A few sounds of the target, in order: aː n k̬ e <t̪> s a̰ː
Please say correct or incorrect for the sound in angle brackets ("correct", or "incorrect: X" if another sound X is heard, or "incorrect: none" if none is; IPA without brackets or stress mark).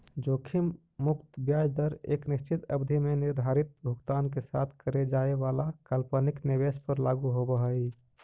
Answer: incorrect: none